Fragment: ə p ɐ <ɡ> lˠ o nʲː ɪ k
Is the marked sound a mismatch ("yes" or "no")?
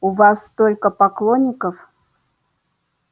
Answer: yes